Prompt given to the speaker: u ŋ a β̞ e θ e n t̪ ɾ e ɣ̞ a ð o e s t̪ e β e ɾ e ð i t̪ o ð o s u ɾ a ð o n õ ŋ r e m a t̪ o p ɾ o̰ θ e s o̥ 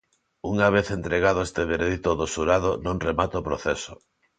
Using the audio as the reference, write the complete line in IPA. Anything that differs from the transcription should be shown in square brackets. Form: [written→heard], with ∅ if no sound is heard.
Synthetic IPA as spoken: u ŋ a β̞ e θ e n t̪ ɾ e ɣ̞ a ð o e s t̪ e β e ɾ e ð i t̪ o ð o s u ɾ a ð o n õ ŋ r e m a t̪ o p ɾ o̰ θ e s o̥